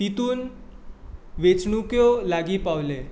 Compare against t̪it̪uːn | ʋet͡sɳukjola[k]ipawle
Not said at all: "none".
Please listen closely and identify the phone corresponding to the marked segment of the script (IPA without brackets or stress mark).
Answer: ɡ